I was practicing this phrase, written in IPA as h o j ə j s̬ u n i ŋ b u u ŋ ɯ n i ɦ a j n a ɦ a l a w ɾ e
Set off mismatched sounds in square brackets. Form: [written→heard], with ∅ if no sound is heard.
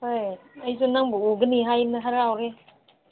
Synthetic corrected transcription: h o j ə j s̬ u n [i→a] ŋ b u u [ŋ→ɡ] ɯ n i ɦ a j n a ɦ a [l→ɾ] a w ɾ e